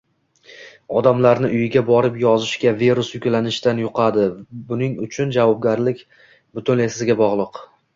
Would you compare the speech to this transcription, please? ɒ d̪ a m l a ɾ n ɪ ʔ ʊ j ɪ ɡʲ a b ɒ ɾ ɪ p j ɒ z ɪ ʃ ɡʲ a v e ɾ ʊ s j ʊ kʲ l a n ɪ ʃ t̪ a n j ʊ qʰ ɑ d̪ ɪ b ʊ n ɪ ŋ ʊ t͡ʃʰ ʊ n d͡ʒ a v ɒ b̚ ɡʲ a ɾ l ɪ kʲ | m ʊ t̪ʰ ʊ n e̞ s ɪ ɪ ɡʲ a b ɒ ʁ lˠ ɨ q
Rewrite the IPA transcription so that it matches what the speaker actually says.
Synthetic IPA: ɒ d̪ a m l a ɾ n ɪ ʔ ʊ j ɪ ɡʲ a b ɒ ɾ ɪ p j ɒ z ɪ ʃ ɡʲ a v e ɾ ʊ s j ʊ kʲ l a n ɪ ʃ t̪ a n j ʊ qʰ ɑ d̪ ɪ b ʊ n ɪ ŋ ʊ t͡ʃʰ ʊ n d͡ʒ a v ɒ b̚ ɡʲ a ɾ l ɪ kʲ | b ʊ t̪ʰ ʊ n e̞ s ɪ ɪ ɡʲ a b ɒ ʁ lˠ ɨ q